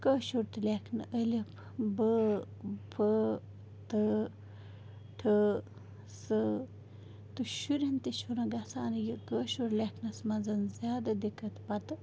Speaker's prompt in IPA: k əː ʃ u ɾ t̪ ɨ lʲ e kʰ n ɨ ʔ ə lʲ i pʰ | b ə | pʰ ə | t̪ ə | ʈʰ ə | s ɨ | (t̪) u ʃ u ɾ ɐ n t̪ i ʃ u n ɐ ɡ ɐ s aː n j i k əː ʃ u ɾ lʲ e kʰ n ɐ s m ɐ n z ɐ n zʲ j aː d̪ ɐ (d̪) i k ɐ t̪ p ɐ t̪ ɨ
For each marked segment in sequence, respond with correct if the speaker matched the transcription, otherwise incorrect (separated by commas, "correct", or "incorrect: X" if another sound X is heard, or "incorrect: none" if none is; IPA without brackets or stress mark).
correct, correct